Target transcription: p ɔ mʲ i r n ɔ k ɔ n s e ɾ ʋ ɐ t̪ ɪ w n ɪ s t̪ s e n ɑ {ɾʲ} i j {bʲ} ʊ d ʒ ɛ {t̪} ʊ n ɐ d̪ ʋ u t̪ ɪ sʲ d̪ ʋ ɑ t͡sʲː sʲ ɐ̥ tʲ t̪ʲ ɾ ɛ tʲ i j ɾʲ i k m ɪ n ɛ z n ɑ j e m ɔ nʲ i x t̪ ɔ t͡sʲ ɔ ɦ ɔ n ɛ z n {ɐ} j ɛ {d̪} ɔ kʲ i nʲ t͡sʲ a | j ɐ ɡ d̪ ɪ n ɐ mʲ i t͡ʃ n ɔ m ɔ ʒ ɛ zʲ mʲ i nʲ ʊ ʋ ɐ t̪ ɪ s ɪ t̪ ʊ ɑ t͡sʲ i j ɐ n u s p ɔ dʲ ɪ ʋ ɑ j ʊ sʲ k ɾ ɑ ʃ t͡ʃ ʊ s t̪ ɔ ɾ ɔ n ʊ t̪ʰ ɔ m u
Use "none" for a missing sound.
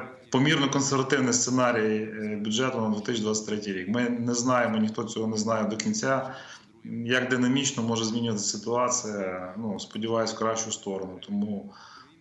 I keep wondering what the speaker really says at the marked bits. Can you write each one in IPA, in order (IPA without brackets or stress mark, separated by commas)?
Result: ɾʲ, bʲ, t̪, ɑ, d̪